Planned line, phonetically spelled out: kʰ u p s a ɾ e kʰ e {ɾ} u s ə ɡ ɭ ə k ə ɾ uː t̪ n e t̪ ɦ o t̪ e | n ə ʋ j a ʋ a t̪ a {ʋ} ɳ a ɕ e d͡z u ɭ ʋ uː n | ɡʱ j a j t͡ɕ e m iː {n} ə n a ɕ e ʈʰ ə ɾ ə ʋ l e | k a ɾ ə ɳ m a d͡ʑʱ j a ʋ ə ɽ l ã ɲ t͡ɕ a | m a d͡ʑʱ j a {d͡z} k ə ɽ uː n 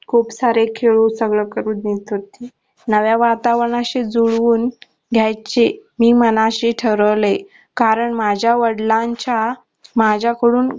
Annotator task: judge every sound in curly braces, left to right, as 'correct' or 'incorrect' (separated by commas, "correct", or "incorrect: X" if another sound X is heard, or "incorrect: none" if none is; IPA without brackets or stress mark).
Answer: incorrect: ɭ, correct, incorrect: m, incorrect: none